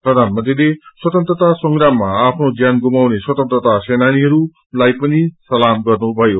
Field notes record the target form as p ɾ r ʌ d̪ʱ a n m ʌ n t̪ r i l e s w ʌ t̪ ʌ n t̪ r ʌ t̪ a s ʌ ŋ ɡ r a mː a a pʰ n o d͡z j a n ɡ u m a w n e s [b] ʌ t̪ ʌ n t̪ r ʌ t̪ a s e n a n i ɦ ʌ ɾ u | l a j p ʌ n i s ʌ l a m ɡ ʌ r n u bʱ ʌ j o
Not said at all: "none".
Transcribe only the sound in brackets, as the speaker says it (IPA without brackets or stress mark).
w